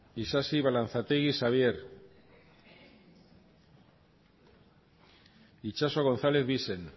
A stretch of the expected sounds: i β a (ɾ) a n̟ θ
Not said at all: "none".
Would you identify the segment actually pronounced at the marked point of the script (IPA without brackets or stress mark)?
l